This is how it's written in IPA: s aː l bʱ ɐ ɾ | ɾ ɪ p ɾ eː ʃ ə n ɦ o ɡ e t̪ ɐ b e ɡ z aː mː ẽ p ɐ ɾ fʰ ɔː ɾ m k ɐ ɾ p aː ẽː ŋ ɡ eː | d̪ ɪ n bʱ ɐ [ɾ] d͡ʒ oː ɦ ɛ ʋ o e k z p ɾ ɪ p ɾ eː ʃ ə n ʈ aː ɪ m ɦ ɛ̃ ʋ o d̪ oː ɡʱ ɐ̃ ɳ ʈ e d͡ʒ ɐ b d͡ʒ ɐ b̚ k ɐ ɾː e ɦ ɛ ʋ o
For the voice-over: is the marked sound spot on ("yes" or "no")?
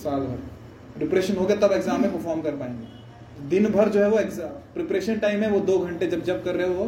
yes